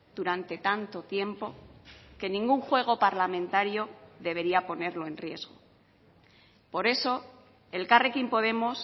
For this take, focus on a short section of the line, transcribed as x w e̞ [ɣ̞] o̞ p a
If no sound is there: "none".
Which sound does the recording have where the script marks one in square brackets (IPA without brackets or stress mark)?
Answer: ɣ̞